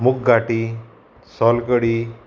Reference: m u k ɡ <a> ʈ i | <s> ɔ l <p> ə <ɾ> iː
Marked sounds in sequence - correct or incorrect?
correct, correct, incorrect, incorrect

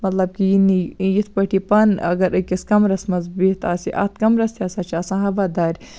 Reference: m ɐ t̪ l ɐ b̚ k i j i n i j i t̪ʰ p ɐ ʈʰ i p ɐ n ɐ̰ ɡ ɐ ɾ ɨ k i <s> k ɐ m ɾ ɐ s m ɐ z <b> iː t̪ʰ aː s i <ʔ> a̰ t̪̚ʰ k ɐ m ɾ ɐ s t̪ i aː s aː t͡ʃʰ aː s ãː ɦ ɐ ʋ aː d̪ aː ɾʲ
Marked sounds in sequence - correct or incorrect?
correct, correct, correct

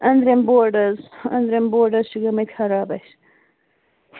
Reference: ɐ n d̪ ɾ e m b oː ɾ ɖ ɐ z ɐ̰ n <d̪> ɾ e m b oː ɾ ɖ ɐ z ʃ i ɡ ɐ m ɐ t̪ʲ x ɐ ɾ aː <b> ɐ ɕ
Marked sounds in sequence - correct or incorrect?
correct, correct

